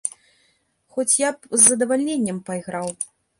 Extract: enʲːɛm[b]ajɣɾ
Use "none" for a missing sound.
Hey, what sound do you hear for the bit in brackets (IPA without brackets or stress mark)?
p